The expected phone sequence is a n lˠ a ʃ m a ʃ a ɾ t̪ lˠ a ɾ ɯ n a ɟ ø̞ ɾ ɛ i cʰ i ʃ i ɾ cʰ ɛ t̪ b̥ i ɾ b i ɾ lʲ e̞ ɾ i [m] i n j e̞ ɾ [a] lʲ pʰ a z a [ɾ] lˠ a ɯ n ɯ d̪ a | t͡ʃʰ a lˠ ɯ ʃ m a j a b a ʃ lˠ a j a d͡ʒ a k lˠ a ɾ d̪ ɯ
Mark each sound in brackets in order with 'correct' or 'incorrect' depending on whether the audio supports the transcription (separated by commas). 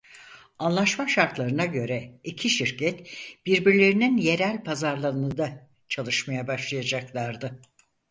incorrect, incorrect, correct